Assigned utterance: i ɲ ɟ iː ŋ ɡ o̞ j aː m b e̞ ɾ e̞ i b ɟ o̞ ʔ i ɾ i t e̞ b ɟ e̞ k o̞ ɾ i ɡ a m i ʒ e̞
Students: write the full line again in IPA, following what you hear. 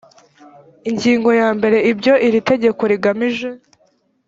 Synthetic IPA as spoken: i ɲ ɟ iː ŋ ɡ o̞ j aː m b e̞ ɾ e̞ i b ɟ o̞ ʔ i ɾ i t e̞ ɟ e̞ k o̞ ɾ i ɡ a m i ʒ e̞